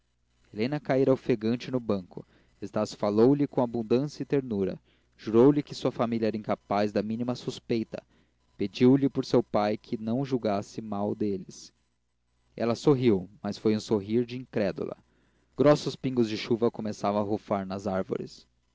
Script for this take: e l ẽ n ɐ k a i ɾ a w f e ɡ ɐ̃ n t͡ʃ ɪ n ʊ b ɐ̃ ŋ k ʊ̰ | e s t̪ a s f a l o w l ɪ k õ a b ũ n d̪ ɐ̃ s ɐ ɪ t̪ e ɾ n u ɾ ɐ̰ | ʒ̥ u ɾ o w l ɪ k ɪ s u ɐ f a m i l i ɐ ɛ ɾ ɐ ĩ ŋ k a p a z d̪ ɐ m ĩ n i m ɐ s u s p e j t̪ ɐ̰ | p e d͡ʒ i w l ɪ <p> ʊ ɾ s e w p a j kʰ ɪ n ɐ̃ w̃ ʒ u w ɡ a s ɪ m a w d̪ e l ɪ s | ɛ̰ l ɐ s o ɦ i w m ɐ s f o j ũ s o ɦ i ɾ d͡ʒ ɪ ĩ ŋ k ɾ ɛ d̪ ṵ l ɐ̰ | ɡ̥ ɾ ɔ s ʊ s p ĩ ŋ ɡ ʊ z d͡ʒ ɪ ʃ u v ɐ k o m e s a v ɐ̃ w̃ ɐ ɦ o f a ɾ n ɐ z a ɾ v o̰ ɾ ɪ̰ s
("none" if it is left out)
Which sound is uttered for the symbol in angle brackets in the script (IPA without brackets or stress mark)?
p